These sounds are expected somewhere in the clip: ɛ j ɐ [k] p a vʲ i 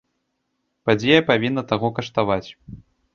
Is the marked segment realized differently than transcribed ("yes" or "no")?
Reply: yes